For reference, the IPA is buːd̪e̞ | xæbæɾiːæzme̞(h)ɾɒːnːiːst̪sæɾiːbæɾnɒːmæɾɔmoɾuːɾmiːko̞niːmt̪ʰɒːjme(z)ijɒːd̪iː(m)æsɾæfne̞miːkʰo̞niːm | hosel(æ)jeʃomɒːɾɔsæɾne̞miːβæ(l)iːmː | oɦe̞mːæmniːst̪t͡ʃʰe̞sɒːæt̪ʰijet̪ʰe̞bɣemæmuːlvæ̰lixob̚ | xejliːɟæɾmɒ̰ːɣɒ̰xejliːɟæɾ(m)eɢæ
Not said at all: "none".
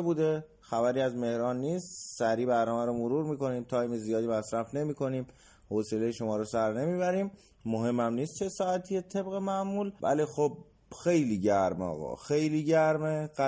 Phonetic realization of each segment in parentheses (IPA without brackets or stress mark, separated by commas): h, z, m, e, ɾ, m